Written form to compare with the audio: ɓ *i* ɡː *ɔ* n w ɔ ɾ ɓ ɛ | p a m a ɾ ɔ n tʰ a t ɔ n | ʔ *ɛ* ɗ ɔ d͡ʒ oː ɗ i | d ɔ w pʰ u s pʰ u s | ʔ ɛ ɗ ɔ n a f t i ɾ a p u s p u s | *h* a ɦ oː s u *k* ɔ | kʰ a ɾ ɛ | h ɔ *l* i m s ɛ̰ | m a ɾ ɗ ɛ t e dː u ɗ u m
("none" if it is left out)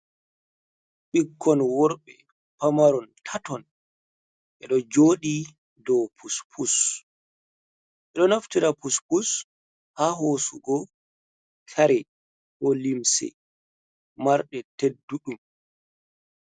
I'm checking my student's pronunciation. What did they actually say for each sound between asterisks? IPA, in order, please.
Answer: i, ɔ, ɛ, h, ɡ, l

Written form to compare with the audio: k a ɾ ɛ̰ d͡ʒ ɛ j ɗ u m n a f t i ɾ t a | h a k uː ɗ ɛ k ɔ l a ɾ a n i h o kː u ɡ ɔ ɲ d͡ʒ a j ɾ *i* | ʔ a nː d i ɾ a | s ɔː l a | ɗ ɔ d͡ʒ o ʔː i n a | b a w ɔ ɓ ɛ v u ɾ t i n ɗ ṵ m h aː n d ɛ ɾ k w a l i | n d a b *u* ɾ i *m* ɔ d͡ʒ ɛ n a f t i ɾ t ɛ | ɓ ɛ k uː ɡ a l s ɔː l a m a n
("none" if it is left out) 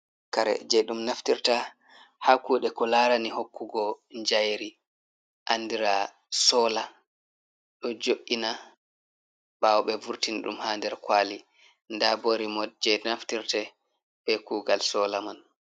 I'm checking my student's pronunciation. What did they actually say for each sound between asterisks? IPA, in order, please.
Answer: i, o, m

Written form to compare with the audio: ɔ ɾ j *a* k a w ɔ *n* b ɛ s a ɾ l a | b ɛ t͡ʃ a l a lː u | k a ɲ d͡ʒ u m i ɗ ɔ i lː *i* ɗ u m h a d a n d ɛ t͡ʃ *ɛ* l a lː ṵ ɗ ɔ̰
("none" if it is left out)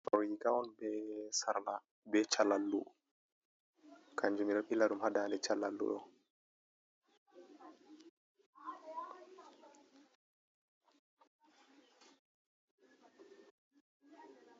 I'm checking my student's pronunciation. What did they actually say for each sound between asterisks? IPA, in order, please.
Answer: i, n, a, a

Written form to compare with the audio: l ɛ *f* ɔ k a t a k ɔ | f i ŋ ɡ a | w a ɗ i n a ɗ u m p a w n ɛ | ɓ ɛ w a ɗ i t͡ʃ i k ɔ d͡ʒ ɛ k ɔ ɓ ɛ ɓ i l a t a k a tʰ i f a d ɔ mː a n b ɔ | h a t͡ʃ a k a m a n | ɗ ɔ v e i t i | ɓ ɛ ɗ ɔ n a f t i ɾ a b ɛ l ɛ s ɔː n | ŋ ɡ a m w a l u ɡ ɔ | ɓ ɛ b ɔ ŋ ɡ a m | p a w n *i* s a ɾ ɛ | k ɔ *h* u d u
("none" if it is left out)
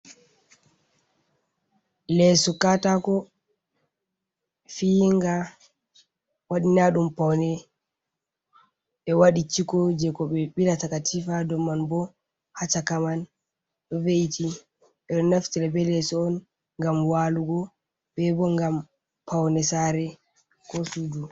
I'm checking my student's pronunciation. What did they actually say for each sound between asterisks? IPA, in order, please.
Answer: s, ɛ, s

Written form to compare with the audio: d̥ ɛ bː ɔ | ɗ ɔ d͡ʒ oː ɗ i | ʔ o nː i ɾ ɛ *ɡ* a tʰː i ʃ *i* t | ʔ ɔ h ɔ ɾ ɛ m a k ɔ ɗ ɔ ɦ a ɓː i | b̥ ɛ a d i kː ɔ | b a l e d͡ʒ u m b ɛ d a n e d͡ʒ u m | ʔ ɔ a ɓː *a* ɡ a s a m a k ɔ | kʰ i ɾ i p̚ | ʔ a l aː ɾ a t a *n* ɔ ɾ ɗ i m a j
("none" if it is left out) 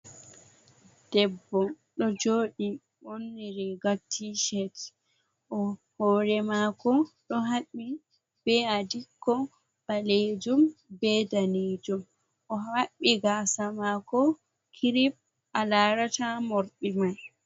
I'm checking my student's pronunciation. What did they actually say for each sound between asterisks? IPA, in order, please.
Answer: ɡ, ɛ, i, m

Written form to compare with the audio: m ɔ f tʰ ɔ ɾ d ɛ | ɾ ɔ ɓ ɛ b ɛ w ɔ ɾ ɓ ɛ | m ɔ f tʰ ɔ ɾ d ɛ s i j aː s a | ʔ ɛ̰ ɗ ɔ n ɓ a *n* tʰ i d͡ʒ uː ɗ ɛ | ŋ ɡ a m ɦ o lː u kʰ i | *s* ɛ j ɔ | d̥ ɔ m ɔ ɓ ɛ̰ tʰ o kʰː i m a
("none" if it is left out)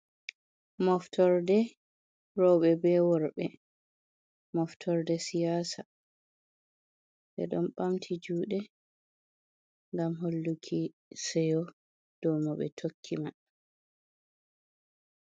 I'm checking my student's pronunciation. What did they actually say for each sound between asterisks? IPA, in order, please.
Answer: m, s

